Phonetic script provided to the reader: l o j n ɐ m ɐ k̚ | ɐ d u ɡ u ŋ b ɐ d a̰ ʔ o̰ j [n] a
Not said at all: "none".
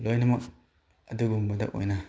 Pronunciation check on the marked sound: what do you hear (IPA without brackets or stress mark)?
n